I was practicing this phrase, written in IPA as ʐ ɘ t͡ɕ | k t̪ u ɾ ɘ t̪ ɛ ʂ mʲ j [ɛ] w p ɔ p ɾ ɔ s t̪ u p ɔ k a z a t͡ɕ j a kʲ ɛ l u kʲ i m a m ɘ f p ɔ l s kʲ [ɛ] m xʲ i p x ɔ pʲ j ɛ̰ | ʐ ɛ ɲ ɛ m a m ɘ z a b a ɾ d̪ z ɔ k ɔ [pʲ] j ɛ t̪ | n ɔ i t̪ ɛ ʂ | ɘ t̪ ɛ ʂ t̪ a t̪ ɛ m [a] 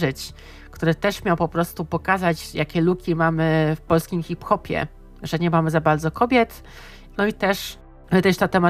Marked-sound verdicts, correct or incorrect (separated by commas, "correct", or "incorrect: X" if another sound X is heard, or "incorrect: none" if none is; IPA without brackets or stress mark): incorrect: a, incorrect: i, incorrect: bʲ, correct